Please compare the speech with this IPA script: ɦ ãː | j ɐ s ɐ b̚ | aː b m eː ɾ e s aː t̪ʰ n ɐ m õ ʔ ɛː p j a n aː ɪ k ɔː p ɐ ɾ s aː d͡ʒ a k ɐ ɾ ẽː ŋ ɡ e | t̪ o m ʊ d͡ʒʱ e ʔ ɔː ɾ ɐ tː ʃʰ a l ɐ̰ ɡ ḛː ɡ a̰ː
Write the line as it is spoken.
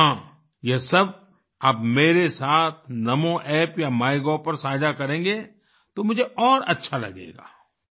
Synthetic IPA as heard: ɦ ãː | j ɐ s ɐ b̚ | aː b m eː ɾ e s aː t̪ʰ n ɐ m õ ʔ ɛː p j a m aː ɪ ɡ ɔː p ɐ ɾ s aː d͡ʒ a k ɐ ɾ ẽː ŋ ɡ e | t̪ o m ʊ d͡ʒʱ e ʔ ɔː ɾ ɐ tː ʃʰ a l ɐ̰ ɡ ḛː ɡ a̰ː